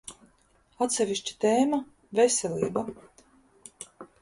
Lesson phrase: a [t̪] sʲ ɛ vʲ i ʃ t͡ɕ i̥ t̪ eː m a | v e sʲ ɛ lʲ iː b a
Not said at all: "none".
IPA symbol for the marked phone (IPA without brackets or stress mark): t̪